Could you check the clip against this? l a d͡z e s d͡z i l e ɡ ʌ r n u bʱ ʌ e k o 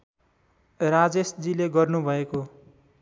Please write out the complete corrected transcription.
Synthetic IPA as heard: r a d͡z e s d͡z i l e ɡ ʌ r n u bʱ ʌ e k o